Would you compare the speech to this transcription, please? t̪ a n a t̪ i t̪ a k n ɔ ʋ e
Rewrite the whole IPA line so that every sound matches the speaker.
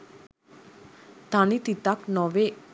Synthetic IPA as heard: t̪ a n i t̪ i t̪ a k n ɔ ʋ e